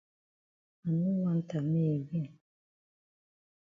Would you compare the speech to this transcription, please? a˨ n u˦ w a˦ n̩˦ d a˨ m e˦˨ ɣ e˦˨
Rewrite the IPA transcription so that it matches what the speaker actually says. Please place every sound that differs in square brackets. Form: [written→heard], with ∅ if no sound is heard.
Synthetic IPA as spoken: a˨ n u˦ w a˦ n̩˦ [d→t] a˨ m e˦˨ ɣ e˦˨